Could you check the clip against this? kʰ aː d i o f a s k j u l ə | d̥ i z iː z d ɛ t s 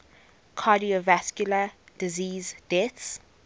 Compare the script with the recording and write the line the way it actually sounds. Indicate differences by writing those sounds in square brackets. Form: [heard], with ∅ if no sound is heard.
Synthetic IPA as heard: kʰ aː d i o [v] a s k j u l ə | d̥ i z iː z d ɛ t s